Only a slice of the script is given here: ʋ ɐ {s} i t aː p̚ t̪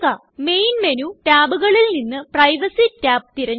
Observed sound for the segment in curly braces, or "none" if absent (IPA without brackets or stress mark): s